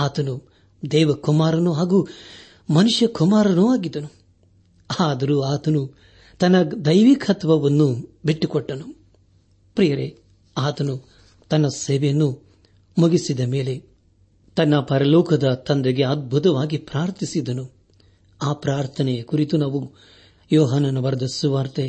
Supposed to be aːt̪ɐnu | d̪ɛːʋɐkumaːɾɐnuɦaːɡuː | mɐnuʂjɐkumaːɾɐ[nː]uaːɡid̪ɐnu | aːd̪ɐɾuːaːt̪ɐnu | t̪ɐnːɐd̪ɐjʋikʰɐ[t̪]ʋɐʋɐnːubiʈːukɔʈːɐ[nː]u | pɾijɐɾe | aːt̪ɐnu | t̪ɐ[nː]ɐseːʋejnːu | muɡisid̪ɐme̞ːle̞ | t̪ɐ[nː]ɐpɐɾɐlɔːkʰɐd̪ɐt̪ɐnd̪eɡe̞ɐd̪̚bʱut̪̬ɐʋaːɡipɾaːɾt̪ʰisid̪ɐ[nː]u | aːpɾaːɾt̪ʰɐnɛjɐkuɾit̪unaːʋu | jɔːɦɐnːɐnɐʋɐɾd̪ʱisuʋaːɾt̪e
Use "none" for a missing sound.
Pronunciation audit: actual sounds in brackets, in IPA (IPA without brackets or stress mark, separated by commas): n, t̪, n, nː, nː, n